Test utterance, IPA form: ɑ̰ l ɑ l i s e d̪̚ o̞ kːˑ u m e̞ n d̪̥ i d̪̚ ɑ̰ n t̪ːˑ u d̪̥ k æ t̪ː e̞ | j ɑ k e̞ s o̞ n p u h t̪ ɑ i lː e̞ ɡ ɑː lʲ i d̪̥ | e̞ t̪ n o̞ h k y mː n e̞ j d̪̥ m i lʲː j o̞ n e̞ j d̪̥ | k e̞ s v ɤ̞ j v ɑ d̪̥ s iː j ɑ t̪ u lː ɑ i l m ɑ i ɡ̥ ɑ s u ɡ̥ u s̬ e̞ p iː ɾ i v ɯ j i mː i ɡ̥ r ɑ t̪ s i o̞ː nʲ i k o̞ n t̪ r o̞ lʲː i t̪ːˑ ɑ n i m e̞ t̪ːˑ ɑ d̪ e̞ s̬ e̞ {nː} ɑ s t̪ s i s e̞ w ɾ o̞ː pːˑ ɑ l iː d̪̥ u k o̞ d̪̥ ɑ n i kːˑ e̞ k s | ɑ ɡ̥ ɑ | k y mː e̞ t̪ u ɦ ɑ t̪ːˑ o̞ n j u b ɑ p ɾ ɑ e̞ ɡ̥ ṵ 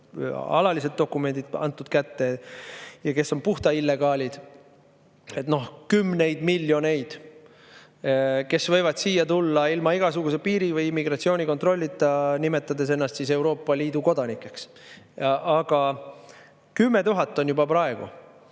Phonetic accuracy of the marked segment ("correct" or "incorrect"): correct